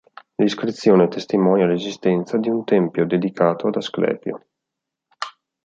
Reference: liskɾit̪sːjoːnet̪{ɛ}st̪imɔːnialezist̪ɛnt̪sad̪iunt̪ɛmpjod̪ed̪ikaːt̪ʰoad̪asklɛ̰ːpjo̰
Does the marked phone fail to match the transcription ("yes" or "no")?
yes